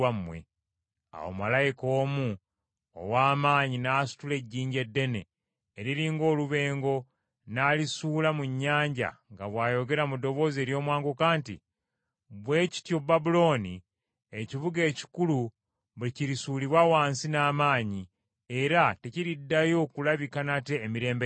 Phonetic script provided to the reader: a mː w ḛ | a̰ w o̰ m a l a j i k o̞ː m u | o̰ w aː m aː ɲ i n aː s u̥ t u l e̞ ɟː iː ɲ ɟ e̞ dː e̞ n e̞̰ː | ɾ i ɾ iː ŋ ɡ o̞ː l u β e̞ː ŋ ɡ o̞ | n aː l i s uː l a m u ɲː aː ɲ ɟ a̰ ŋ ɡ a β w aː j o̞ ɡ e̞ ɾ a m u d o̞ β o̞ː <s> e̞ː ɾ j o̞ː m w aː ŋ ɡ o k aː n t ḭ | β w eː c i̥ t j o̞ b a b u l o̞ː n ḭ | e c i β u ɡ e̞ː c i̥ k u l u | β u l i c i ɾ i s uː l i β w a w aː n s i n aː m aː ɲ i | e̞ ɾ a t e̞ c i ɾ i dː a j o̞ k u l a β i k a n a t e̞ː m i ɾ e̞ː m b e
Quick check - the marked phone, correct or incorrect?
incorrect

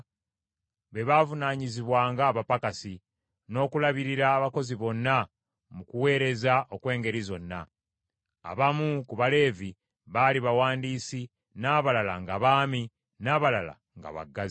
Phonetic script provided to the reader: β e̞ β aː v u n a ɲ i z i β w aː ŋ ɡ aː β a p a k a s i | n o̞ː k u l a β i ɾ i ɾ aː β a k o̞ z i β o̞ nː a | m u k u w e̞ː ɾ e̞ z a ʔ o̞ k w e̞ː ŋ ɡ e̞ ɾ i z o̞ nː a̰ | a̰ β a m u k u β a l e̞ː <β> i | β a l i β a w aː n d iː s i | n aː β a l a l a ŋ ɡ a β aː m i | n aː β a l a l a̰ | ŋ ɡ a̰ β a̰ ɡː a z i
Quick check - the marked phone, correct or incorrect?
incorrect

